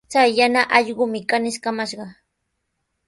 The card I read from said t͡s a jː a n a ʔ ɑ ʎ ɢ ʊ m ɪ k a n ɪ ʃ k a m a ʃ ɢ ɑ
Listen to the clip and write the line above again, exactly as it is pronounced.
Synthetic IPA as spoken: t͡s a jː a n a ʔ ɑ ʎ ɢ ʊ m ɪ k a n ɪ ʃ k a m a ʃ ɢ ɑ